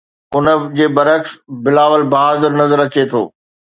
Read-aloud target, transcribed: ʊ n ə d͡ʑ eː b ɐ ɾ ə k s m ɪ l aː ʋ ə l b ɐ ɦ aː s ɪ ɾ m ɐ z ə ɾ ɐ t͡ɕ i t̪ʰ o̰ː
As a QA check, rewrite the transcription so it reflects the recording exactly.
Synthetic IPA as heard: ʊ n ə d͡ʑ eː b ɐ ɾ ə k s b ɪ l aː ʋ ə l b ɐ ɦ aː z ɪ ɾ n ɐ z ə ɾ ɐ t͡ɕ e t̪ʰ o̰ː

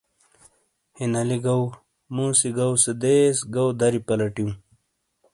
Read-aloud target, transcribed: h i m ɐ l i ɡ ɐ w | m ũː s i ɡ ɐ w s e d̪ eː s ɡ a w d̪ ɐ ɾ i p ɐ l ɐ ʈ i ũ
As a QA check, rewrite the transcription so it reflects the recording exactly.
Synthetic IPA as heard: h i n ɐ l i ɡ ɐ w | m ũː s i ɡ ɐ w s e d̪ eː s ɡ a w d̪ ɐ ɾ i p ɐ l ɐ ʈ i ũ

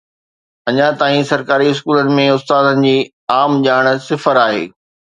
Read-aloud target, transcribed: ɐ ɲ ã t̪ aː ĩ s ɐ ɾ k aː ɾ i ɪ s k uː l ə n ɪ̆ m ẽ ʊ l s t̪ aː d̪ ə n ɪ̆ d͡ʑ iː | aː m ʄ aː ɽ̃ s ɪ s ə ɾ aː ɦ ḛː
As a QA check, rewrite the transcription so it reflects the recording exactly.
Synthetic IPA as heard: ɐ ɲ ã t̪ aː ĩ s ɐ ɾ k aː ɾ i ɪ s k uː l ə n ɪ̆ m ẽ ʊ s t̪ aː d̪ ə n ɪ̆ d͡ʑ iː | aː m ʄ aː ɽ̃ s ɪ f ə ɾ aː ɦ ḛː

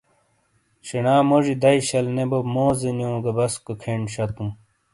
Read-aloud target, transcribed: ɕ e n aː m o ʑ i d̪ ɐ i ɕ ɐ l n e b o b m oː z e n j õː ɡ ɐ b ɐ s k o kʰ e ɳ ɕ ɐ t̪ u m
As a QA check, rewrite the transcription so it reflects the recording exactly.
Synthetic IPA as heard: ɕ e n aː m o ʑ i d̪ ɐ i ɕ ɐ l n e b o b m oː z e n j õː ɡ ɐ b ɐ s k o kʰ e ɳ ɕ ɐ t̪ u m

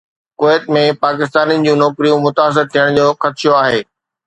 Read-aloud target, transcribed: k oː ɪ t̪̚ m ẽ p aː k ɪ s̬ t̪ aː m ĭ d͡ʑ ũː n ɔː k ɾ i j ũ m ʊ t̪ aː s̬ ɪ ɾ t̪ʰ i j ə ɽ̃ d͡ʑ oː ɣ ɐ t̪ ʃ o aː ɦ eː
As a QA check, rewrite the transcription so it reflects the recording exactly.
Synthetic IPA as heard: k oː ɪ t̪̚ m ẽ p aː k ɪ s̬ t̪ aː n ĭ d͡ʑ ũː n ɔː k ɾ i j ũ m ʊ t̪ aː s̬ ɪ ɾ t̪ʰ i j ə ɽ̃ d͡ʑ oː x ɐ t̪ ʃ o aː ɦ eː

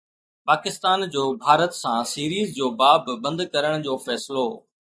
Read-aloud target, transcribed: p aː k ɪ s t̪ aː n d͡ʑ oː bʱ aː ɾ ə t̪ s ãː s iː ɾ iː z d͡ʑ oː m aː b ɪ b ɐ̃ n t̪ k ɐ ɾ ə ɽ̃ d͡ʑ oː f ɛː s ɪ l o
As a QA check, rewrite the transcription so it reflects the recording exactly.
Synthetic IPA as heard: p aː k ɪ s t̪ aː n d͡ʑ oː bʱ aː ɾ ə t̪ s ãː s iː ɾ iː z d͡ʑ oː b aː b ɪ b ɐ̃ n d̪ k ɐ ɾ ə ɽ̃ d͡ʑ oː f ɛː s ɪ l o

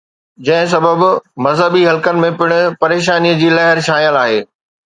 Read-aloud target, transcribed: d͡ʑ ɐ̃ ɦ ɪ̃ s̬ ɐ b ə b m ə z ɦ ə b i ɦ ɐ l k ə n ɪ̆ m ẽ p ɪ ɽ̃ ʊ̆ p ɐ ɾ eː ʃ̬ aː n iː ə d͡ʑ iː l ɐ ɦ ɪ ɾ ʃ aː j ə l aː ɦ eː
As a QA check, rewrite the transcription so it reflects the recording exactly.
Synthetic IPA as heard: d͡ʑ ɐ̃ ɦ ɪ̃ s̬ ɐ b ə b m ɐ z ɦ ə b i ɦ ɐ l k ə n ɪ̆ m ẽ p ɪ ɽ̃ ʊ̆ p ɐ ɾ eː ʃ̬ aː n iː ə d͡ʑ iː l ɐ ɦ ɪ ɾ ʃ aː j ə l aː ɦ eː

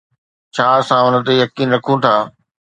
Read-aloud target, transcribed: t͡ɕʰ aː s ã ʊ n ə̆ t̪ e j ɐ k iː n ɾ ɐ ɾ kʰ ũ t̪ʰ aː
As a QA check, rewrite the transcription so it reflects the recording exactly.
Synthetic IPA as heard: t͡ɕʰ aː s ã ʊ n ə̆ t̪ e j ɐ k iː n ɾ ɐ kʰ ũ t̪ʰ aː

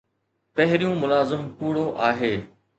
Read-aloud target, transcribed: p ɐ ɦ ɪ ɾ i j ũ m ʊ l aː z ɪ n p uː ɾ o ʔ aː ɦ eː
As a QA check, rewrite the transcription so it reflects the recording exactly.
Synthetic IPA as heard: p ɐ ɦ ɪ ɾ i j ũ m ʊ l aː z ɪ m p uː ɽ o ʔ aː ɦ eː

